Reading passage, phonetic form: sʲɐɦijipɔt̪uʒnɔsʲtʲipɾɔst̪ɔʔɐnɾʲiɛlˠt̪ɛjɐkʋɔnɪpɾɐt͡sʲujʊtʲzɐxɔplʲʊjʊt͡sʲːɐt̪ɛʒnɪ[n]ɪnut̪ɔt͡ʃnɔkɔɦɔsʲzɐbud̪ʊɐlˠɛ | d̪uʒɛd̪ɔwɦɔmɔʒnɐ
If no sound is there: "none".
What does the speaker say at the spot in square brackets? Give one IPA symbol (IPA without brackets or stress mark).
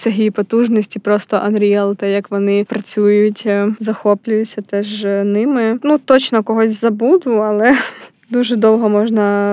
m